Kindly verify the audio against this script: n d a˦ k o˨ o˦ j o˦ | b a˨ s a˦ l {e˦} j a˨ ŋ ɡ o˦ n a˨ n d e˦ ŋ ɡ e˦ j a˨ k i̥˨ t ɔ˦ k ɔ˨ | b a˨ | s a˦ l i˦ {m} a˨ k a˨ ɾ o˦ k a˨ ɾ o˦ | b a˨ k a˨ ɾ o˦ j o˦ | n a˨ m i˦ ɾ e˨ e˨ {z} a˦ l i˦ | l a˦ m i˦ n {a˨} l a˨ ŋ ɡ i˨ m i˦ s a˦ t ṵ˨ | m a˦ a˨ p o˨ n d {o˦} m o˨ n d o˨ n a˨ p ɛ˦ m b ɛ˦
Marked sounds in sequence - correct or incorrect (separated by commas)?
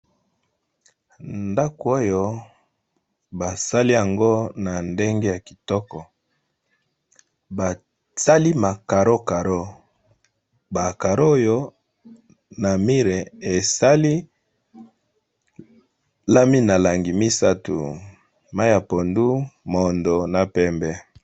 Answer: incorrect, correct, incorrect, correct, incorrect